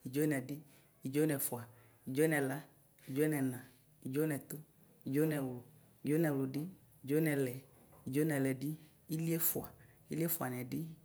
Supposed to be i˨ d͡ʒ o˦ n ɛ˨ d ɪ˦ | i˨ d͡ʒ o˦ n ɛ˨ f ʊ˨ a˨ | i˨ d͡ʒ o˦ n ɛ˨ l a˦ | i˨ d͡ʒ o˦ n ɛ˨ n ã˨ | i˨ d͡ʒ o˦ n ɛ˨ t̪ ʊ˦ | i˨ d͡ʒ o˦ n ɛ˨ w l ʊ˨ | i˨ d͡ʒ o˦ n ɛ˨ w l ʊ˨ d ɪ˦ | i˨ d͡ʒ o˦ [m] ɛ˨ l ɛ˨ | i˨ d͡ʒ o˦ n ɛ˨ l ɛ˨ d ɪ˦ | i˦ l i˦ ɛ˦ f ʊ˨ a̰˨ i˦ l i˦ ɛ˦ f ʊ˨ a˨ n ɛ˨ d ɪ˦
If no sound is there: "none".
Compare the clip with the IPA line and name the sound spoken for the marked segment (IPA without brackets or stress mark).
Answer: n